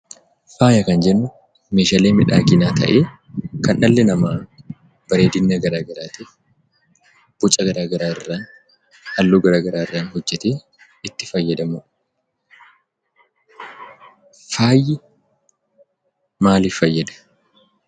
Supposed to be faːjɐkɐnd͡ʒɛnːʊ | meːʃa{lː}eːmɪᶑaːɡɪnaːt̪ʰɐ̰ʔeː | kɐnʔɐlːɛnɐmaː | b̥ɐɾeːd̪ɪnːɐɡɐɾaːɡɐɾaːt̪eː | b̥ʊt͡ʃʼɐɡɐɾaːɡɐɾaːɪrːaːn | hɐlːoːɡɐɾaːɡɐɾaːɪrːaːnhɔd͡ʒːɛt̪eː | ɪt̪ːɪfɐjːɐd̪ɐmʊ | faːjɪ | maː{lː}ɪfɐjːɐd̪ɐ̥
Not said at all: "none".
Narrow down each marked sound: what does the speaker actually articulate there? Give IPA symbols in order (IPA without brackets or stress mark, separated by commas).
l, l